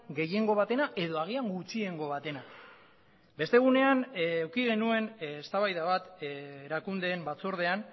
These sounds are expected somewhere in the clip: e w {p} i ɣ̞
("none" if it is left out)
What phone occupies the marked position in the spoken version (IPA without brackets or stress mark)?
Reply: k